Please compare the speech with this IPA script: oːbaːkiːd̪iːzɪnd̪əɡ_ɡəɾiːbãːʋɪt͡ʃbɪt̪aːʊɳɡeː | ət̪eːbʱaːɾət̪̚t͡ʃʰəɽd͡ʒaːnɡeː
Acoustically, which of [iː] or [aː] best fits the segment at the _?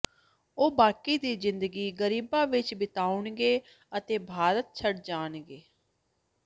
iː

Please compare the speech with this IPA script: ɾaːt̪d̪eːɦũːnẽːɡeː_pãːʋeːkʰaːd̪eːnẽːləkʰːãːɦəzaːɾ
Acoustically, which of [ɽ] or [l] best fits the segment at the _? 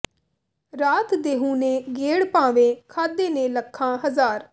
ɽ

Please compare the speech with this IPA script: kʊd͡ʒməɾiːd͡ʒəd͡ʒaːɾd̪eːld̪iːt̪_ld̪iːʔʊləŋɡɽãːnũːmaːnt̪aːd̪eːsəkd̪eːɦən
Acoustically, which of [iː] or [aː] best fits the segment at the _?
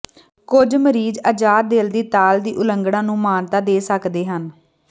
aː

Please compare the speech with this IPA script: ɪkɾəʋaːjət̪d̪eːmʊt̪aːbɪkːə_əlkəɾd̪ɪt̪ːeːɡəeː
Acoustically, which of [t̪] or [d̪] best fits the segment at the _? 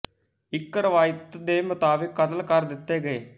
t̪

